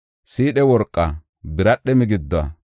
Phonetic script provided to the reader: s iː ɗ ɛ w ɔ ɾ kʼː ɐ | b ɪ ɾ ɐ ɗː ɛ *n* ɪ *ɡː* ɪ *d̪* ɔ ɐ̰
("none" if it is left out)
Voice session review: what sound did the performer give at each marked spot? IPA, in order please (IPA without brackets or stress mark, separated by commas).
m, ɡ, d̪ː